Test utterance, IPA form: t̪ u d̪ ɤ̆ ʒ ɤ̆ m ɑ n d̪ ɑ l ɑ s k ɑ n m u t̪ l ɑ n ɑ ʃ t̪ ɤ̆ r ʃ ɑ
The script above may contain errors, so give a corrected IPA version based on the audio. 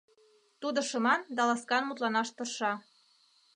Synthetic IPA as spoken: t̪ u d̪ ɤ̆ ʃ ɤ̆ m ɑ n d̪ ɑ l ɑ s k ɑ n m u t̪ l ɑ n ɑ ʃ t̪ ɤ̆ r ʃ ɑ

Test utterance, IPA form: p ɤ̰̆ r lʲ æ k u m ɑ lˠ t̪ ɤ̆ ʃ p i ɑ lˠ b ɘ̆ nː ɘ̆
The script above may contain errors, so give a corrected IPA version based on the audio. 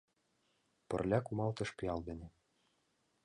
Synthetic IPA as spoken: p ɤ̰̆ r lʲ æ k u m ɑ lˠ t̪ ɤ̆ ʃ p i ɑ lˠ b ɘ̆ n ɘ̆

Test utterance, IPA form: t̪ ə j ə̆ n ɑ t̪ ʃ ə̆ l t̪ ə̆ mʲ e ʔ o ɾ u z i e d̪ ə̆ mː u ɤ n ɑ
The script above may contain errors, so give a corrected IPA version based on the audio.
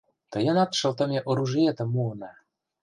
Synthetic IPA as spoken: t̪ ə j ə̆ n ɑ t̪ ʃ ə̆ l t̪ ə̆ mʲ e ʔ o ɾ u ʒ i e t̪ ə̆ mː u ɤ n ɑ

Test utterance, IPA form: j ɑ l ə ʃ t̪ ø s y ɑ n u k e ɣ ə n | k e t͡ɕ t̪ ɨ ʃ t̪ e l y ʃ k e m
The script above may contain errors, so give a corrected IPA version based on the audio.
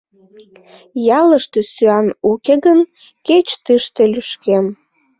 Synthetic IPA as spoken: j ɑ l ə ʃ t̪ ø s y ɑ n u k e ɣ ə n | k e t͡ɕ t̪ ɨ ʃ t̪ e l y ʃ k e m

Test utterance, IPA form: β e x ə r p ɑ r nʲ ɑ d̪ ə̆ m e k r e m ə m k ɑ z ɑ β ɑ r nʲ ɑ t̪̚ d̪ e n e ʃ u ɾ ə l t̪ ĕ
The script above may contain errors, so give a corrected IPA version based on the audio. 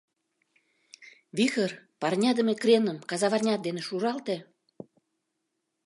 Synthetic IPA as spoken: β i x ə r p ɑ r nʲ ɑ d̪ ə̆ m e k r e n ə m k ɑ z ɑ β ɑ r nʲ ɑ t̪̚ d̪ e n e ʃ u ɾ ɑ l t̪ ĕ

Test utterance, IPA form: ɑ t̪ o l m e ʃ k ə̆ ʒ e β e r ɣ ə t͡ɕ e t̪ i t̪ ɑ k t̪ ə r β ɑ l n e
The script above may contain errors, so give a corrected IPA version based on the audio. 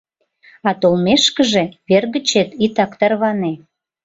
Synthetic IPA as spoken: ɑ t̪ o l m e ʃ k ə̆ ʒ e β e r ɣ ə t͡ɕ e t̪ i t̪ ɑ k t̪ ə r β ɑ n e

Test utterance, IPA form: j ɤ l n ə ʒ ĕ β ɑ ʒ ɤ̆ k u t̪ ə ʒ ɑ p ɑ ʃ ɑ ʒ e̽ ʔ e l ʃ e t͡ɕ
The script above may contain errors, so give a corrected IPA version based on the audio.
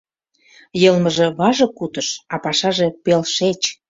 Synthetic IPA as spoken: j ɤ l m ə ʒ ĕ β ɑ ʒ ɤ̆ k u t̪ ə ʃ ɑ p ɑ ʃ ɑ ʒ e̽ p e l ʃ e t͡ɕ

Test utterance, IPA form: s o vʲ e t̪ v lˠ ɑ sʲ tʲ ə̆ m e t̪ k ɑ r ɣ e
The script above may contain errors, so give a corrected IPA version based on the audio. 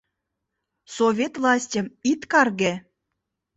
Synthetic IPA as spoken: s o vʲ e t̪ v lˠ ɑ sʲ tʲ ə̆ m i t̪ k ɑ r ɣ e

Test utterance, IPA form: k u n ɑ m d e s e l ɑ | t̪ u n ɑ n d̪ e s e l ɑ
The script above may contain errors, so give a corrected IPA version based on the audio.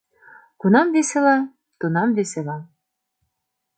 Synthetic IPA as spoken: k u n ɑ m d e s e l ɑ | t̪ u n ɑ m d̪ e s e l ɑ

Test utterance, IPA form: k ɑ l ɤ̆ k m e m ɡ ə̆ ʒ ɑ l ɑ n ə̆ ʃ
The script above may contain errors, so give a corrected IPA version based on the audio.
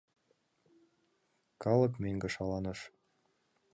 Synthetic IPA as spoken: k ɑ l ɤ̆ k m e ŋ ɡ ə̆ ʃ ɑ l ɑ n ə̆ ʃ

